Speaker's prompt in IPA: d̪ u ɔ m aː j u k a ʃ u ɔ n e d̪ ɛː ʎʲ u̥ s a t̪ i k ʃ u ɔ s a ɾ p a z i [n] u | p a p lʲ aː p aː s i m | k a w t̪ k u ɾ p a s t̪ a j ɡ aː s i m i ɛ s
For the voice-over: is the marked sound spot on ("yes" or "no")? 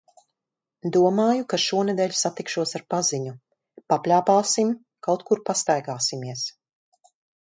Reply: no